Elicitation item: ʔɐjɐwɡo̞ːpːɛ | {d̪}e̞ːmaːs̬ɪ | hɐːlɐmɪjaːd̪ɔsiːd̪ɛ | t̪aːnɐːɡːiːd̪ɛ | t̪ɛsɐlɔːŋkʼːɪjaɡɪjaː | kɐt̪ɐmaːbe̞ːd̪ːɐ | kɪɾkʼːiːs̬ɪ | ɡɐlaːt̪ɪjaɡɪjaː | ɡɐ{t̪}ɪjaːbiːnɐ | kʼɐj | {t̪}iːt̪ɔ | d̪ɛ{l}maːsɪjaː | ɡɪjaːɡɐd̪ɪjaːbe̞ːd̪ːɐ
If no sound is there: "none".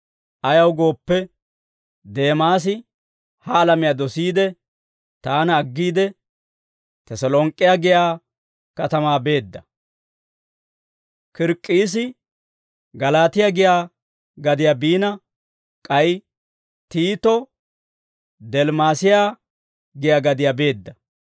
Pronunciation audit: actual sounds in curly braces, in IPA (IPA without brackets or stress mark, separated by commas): d̪, d̪, t̪, l